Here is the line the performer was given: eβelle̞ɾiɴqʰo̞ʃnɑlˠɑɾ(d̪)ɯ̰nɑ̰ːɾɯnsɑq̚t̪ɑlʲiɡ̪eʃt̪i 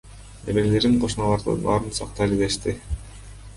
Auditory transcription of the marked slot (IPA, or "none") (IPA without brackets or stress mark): d̪